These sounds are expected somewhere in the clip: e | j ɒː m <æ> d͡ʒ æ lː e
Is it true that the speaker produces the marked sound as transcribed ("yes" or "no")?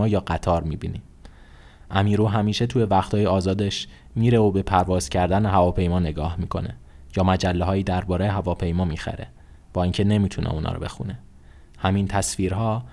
yes